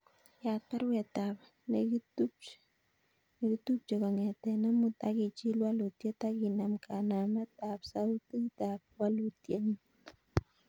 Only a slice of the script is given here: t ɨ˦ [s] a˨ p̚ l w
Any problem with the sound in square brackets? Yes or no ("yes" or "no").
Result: yes